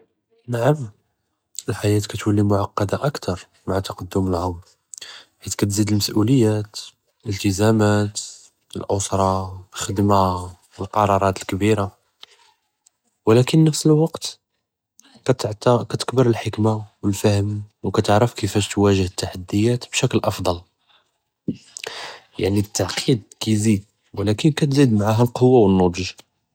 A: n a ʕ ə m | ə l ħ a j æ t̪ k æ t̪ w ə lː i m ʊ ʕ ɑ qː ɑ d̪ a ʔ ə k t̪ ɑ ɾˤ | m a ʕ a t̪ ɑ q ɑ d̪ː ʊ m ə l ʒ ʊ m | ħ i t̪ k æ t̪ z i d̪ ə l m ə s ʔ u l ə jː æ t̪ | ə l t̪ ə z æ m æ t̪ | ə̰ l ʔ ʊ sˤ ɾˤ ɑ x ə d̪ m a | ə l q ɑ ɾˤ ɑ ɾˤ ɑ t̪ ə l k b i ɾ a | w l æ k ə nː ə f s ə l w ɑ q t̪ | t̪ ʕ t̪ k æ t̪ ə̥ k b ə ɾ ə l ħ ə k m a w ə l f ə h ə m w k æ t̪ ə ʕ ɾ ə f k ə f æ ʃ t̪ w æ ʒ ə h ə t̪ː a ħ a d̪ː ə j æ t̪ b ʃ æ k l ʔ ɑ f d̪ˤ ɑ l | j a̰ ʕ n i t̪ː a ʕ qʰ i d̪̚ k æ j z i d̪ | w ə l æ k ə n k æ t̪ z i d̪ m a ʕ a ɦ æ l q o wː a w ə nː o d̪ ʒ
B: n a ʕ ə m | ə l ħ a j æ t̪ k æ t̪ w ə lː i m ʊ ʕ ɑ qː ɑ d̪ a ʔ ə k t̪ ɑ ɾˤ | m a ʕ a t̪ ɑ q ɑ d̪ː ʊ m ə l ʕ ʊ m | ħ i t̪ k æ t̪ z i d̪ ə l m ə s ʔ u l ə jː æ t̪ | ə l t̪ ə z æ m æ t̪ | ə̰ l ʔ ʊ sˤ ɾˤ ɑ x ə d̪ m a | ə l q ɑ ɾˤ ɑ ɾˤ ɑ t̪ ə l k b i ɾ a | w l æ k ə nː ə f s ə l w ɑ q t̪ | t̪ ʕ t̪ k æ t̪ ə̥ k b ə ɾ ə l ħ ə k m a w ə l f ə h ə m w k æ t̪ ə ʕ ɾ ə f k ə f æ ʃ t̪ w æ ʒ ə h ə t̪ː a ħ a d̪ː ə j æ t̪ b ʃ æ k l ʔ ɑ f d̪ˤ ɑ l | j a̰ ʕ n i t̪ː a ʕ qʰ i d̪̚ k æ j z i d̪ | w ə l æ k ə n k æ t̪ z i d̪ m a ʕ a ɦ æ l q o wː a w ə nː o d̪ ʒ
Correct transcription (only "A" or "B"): B